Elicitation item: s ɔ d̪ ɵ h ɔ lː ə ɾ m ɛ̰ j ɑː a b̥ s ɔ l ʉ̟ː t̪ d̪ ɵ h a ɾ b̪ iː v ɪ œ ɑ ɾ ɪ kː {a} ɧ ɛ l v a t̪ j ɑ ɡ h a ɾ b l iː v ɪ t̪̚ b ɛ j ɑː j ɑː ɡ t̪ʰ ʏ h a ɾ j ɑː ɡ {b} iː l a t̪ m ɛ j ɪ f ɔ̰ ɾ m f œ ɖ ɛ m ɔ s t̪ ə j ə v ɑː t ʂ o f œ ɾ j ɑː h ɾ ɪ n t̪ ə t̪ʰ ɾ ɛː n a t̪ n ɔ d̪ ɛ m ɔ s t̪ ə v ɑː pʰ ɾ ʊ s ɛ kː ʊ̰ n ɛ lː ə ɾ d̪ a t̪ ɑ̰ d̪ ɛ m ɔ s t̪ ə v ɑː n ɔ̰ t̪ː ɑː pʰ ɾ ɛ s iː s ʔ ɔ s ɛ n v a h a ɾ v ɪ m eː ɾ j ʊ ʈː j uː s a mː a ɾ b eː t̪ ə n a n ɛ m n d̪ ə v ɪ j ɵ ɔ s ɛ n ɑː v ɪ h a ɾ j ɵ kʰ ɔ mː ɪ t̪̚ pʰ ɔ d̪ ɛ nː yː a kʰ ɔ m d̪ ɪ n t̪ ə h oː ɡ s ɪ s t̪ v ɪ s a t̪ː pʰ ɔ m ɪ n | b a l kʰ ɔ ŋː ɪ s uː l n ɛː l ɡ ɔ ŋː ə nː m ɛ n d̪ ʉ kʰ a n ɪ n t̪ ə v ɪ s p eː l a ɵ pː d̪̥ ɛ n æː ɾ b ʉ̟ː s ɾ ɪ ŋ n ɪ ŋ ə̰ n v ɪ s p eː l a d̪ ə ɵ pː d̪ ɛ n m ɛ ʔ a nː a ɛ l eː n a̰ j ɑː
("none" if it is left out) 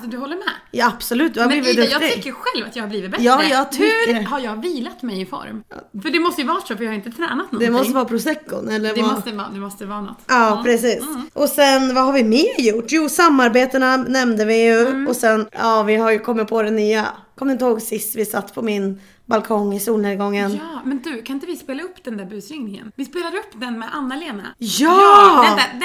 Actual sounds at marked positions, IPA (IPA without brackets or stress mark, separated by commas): ə, v